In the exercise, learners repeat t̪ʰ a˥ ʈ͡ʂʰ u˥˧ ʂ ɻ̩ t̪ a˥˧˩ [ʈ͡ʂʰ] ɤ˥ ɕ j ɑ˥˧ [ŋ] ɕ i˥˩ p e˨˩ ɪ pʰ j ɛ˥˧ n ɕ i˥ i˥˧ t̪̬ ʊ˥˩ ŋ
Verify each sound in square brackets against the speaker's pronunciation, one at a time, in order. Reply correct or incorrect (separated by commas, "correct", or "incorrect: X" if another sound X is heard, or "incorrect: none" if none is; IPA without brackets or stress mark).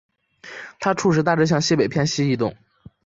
incorrect: ʈ͡ʂ, correct